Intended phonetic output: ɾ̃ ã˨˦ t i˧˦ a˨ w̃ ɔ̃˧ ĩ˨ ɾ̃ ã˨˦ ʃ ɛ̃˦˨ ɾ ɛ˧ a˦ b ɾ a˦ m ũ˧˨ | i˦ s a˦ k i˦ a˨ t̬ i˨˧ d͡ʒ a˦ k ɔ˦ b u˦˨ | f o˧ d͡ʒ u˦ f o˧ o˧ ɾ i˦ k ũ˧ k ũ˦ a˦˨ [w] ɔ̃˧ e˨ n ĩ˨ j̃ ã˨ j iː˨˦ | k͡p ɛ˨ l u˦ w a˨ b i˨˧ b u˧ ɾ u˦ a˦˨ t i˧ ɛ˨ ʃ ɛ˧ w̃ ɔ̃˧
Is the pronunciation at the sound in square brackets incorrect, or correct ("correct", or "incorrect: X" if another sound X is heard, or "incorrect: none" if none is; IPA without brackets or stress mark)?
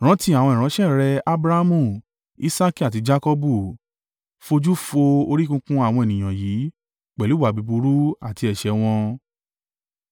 correct